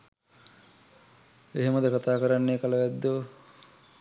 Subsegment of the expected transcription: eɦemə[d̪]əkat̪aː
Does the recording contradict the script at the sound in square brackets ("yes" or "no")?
no